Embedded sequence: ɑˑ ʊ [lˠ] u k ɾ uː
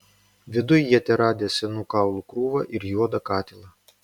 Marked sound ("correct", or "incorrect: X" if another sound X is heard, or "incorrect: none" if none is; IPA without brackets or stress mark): correct